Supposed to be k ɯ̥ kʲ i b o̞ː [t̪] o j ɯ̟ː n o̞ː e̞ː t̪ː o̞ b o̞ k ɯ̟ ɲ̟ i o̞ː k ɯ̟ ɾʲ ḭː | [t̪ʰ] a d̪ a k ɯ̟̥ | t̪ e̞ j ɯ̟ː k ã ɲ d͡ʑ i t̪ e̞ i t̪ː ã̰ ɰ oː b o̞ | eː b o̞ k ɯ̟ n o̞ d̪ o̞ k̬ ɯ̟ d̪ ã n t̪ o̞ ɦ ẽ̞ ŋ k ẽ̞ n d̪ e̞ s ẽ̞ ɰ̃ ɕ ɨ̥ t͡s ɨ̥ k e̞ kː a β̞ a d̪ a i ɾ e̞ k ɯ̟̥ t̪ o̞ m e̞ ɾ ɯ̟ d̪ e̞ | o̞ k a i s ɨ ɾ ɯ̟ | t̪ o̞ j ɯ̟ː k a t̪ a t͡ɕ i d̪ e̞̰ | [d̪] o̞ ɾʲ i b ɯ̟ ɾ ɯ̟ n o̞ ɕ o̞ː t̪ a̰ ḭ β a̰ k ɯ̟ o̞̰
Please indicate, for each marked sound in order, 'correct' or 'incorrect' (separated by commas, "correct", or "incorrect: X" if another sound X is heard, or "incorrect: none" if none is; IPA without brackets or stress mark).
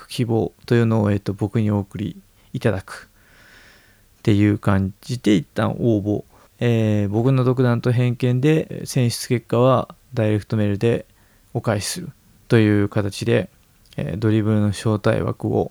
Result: correct, incorrect: t̪, correct